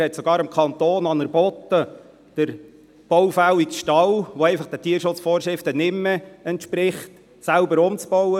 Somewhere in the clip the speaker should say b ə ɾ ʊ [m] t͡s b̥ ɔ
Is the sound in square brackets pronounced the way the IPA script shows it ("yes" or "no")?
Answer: yes